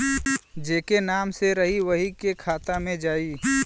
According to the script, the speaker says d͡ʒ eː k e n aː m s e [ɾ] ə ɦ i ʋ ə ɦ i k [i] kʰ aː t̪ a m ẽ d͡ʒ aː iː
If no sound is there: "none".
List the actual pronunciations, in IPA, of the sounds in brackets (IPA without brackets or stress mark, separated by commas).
ɾ, e